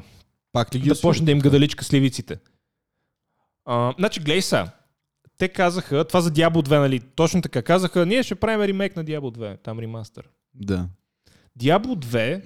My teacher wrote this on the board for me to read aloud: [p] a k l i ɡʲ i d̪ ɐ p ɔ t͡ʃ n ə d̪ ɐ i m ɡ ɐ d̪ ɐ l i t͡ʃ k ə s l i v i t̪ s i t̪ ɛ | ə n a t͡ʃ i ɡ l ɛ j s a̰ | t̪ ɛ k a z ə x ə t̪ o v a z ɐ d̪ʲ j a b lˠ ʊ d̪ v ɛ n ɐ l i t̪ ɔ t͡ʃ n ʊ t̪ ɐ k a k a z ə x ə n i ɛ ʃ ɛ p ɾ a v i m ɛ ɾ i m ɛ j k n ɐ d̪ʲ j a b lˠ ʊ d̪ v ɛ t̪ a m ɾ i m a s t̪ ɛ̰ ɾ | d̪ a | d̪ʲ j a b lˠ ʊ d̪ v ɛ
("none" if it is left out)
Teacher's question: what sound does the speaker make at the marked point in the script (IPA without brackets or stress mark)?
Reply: p